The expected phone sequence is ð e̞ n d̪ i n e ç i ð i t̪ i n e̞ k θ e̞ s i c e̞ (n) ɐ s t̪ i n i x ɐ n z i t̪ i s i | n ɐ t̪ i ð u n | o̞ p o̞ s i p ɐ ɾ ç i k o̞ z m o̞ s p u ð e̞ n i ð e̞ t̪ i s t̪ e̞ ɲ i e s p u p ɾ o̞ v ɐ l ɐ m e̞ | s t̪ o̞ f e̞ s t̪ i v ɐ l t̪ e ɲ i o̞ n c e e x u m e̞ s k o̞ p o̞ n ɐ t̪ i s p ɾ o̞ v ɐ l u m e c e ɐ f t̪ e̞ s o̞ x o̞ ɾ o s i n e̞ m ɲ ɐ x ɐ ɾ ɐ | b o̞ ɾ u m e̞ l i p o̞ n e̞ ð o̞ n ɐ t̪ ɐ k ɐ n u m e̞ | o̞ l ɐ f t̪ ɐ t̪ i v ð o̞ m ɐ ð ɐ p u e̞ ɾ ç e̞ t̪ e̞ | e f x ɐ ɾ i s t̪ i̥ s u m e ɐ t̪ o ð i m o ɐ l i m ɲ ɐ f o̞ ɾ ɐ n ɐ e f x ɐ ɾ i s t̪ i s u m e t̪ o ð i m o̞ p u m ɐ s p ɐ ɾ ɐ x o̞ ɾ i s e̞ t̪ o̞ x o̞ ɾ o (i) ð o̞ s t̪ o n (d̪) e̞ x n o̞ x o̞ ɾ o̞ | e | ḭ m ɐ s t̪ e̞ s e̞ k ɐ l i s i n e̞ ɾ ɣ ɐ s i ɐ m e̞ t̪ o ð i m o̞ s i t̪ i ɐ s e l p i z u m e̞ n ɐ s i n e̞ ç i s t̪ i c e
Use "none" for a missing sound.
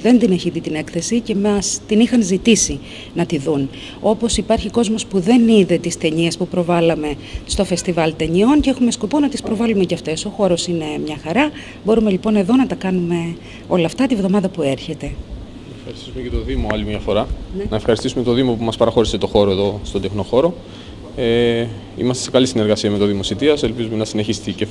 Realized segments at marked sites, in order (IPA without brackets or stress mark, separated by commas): m, e, d̪